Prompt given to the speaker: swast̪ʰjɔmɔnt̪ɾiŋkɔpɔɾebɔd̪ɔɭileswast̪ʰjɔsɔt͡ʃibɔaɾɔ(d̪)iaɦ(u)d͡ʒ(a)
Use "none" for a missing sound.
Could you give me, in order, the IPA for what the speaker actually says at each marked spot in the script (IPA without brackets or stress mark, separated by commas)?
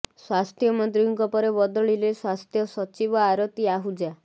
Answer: t̪, u, a